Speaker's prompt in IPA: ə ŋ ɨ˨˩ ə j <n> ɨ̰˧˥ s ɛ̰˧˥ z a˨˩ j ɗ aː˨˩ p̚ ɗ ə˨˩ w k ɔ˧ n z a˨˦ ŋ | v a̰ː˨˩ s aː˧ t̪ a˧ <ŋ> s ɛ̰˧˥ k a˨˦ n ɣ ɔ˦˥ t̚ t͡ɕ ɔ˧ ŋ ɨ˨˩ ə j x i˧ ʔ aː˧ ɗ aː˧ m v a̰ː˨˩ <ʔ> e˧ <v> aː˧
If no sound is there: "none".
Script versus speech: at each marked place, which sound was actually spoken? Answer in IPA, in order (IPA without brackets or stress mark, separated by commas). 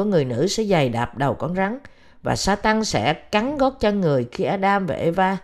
n, ŋ, ʔ, v